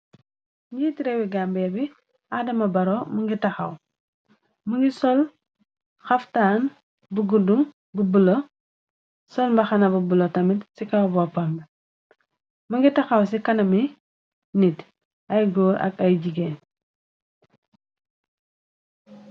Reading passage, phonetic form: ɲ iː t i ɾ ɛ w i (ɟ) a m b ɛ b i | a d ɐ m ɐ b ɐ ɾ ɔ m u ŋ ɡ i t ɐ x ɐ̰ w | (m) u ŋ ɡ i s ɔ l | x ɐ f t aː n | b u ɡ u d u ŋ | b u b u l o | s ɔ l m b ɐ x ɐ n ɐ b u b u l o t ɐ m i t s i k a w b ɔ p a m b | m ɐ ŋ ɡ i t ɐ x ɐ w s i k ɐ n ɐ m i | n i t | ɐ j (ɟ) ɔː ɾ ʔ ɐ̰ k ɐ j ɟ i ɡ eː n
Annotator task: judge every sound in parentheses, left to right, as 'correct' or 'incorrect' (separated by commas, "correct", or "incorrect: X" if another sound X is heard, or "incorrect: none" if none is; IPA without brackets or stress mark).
incorrect: ɡ, correct, incorrect: ɡ